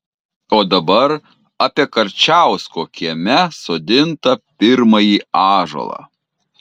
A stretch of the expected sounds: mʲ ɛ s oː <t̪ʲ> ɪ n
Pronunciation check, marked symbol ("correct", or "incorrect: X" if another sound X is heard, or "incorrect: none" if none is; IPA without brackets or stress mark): incorrect: d̪ʲ